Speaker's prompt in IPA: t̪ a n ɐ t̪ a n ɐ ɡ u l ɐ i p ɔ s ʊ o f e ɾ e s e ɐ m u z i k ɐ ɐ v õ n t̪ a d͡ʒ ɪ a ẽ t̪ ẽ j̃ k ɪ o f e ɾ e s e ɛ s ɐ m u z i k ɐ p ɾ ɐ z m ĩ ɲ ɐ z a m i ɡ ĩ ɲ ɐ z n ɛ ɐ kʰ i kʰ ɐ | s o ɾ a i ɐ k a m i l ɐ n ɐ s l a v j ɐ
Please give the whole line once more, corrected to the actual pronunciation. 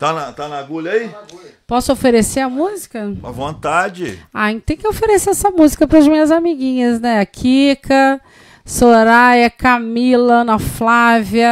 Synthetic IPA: t̪ a n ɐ t̪ a n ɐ ɡ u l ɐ i p ɔ s ʊ o f e ɾ e s e ɐ m u z i k ɐ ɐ v õ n t̪ a d͡ʒ ɪ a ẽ t̪ ẽ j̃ k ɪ o f e ɾ e s e ɛ s ɐ m u z i k ɐ p ɾ ɐ z m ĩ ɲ ɐ z a m i ɡ ĩ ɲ ɐ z n ɛ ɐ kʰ i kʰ ɐ | s o ɾ a j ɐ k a m i l ɐ n ɐ f l a v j ɐ

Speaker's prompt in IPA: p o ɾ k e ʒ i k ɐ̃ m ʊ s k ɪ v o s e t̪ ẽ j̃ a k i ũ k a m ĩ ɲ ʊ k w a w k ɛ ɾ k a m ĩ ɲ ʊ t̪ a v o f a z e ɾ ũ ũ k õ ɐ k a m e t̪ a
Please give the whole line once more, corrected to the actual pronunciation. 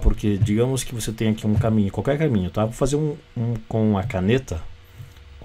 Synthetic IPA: p o ɾ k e d͡ʒ i ɡ ɐ̃ m ʊ s k ɪ v o s e t̪ ẽ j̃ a k i ũ k a m ĩ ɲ ʊ k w a w k ɛ ɾ k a m ĩ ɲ ʊ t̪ a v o f a z e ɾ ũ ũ k õ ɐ k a n e t̪ ɐ

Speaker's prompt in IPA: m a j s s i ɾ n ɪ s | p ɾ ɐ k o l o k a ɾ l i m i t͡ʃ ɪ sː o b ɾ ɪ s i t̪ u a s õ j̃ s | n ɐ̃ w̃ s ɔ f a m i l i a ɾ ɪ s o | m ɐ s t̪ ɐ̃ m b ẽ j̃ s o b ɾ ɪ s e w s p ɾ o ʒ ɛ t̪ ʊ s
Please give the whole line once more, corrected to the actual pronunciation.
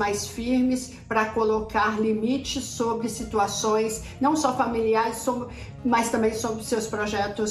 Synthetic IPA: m a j s f i ɾ m ɪ s | p ɾ ɐ k o l o k a ɾ l i m i t͡ʃ ɪ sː o b ɾ ɪ s i t̪ u a s õ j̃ s | n ɐ̃ w̃ s ɔ f a m i l i a ɾ ɪ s o | m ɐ s t̪ ɐ̃ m b ẽ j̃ s o b ɾ ɪ s e w s p ɾ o ʒ ɛ t̪ ʊ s

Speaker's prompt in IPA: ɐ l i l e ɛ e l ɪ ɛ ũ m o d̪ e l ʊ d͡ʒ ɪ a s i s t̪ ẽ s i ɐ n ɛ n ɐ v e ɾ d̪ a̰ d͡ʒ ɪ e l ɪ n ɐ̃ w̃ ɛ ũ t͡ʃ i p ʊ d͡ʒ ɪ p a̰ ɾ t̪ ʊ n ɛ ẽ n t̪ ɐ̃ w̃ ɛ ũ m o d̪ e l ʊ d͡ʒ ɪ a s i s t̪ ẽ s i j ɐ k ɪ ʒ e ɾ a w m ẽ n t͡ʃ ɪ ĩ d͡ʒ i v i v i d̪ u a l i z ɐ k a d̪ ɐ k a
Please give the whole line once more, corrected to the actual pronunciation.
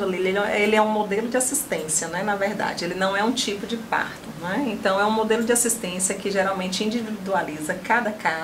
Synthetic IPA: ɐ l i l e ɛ e l ɪ ɛ ũ m o d̪ e l ʊ d͡ʒ ɪ a s i s t̪ ẽ s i ɐ n ɛ n ɐ v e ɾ d̪ a̰ d͡ʒ ɪ e l ɪ n ɐ̃ w̃ ɛ ũ t͡ʃ i p ʊ d͡ʒ ɪ p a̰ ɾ t̪ ʊ n ɛ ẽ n t̪ ɐ̃ w̃ ɛ ũ m o d̪ e l ʊ d͡ʒ ɪ a s i s t̪ ẽ s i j ɐ k ɪ ʒ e ɾ a w m ẽ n t͡ʃ ɪ ĩ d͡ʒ i v i v i d̪ u a l i z ɐ k a d̪ ɐ k a

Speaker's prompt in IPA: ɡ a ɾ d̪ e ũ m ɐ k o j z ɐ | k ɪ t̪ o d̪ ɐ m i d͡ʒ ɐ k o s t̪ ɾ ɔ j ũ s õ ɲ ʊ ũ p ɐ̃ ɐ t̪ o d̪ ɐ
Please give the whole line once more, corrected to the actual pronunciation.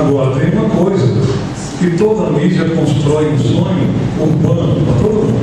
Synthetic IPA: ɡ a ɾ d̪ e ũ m ɐ k o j z ɐ | k ɪ t̪ o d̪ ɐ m i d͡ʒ ɐ k õ s t̪ ɾ ɔ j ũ s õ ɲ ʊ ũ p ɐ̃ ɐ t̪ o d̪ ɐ

